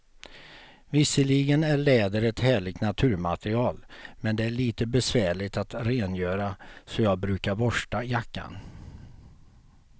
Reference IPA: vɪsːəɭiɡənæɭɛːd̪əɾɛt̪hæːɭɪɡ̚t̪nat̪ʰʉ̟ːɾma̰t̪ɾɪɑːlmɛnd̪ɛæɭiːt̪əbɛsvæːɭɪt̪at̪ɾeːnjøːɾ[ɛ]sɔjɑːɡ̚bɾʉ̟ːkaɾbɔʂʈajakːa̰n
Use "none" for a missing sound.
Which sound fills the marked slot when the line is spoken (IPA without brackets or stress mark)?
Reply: a